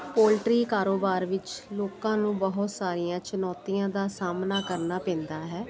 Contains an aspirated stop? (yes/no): no